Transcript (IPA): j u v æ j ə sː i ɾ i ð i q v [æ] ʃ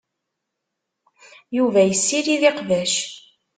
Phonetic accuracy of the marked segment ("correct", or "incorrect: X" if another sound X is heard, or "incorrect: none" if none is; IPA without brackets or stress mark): correct